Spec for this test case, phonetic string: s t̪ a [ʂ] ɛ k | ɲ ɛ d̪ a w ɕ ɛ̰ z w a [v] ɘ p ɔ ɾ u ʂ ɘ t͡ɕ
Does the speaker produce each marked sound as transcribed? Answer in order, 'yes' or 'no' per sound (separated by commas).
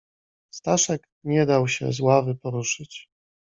yes, yes